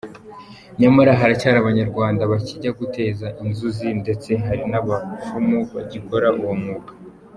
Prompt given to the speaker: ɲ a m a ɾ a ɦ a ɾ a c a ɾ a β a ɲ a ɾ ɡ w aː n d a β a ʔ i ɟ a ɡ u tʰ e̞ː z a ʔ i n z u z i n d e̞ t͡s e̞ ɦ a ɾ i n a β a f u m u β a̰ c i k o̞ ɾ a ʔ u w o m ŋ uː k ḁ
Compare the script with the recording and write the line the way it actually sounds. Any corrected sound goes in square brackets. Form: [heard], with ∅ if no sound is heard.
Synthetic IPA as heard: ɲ a m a ɾ a ɦ a ɾ a c a ɾ a β a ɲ a ɾ ɡ w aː n d a β a [c] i ɟ a ɡ u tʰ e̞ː z a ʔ i n z u z i n d e̞ t͡s e̞ ɦ a ɾ i n a β a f u m u β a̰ [ɟ] i k o̞ ɾ a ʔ u w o m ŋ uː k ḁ